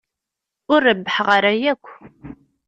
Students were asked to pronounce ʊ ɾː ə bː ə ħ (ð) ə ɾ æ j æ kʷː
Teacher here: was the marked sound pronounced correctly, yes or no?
no